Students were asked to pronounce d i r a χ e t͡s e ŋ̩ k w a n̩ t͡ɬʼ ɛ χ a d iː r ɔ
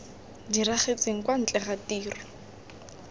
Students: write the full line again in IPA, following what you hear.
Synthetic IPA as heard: d i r a χ e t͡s e ŋ̩ k w a n̩ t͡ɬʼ ɛ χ a t iː r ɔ